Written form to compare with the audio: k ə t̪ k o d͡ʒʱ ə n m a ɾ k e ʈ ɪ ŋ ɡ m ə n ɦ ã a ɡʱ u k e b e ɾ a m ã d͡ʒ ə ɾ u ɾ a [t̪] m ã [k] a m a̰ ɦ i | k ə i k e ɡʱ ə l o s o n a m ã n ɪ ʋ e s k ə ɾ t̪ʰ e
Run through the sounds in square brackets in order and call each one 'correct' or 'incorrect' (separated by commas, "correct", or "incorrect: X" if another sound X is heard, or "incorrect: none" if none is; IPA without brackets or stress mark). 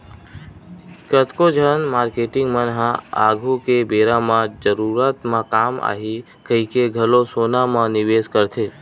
correct, correct